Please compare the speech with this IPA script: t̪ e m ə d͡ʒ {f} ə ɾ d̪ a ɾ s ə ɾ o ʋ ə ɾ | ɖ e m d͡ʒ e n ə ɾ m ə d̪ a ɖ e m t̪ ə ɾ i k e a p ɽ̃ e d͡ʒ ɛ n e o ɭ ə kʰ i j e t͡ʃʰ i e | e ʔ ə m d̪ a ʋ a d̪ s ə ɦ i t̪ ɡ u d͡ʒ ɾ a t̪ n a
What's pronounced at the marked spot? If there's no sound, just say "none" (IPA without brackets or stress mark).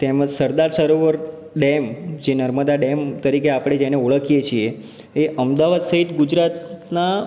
s